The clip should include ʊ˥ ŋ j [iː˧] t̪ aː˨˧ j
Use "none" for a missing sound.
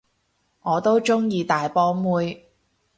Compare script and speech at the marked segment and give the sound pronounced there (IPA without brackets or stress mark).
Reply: iː˧